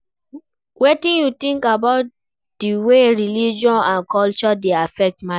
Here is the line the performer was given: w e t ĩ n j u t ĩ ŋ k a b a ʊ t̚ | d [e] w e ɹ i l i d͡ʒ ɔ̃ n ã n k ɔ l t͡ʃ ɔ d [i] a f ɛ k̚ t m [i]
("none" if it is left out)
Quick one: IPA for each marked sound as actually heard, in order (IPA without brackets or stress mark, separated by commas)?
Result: i, e, a